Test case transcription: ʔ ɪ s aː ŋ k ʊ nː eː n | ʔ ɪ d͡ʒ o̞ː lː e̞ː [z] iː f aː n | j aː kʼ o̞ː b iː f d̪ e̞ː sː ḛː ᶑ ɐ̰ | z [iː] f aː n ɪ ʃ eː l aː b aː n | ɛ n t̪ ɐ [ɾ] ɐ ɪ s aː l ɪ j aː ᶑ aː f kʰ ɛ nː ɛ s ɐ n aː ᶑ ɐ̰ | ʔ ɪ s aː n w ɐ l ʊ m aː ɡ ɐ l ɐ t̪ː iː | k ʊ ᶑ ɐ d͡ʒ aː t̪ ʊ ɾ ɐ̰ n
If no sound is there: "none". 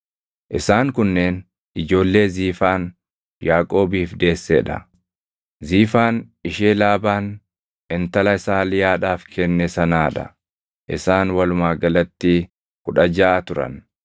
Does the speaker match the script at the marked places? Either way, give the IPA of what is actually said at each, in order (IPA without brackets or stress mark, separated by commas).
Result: z, iː, l